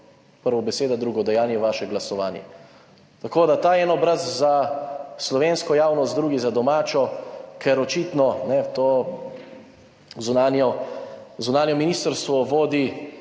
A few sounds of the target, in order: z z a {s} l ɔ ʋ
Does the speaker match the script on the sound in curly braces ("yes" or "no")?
yes